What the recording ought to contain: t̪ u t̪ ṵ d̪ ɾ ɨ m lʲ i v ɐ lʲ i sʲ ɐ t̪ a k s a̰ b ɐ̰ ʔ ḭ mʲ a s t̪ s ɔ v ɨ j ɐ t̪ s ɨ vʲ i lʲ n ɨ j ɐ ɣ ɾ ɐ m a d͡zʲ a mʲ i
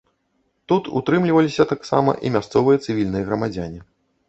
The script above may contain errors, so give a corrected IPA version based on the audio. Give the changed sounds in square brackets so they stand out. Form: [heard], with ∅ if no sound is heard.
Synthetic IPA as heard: t̪ u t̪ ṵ [t̪] ɾ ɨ m lʲ i v ɐ lʲ i sʲ ɐ t̪ a k s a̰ [m] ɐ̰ ʔ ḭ mʲ a s t̪ s ɔ v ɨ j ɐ t̪ s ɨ vʲ i lʲ n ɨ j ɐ ɣ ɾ ɐ m a d͡zʲ a [nʲ] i